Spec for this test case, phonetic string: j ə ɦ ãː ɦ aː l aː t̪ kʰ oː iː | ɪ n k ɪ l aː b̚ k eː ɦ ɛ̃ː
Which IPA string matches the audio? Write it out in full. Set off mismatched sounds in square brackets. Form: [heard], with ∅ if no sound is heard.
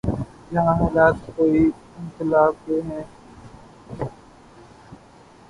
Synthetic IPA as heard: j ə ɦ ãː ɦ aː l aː t̪ [k] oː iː | ɪ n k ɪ l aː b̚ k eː ɦ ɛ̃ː